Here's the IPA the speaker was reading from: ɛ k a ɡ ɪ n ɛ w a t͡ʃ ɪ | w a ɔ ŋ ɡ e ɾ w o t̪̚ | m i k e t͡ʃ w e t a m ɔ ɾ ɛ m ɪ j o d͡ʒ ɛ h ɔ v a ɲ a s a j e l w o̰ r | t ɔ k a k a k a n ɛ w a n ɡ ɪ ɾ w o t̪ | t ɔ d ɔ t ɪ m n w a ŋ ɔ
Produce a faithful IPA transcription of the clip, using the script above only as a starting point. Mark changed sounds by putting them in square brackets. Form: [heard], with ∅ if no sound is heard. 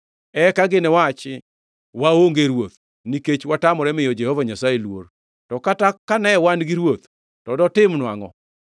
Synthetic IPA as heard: ɛ k a ɡ ɪ n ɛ w a t͡ʃ ɪ | w a [o] ŋ ɡ e ɾ w o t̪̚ | [n] i k e t͡ʃ w [a] t a m ɔ ɾ ɛ m ɪ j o d͡ʒ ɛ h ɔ v a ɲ a s a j e l w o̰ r | t ɔ k a [t] a k a n ɛ w a n ɡ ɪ ɾ w o t̪ | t ɔ d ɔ t ɪ m n w a ŋ ɔ

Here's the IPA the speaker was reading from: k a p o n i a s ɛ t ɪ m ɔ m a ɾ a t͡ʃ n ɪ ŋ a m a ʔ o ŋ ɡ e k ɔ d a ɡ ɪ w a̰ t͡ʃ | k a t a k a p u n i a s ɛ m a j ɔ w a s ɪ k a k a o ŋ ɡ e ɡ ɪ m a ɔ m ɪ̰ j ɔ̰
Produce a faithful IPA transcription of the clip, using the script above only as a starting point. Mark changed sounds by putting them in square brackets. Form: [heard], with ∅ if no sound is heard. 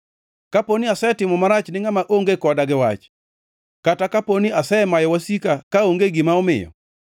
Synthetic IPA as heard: k a p o n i a s ɛ t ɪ m ɔ m a ɾ a t͡ʃ n ɪ ŋ a m a ʔ o ŋ ɡ e k ɔ d a ɡ ɪ w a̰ t͡ʃ | k a t a k a p [o] n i a s ɛ m a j ɔ w a s [i] k a k a o ŋ ɡ e ɡ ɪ m a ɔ m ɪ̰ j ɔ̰

